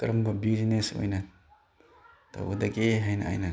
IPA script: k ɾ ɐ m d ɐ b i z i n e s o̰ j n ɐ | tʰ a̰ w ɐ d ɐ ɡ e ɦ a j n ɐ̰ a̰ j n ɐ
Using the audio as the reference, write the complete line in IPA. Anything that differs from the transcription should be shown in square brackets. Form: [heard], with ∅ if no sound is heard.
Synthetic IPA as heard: k ɾ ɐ m [b] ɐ b i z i n e s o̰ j n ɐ | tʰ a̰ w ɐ d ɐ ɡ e ɦ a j n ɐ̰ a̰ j n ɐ